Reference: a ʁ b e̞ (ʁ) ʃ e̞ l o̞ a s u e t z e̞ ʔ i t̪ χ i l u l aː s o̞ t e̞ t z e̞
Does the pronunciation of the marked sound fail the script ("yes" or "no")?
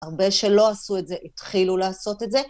yes